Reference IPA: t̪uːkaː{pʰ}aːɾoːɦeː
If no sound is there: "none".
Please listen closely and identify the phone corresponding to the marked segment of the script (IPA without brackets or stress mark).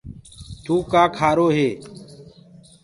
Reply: kʰ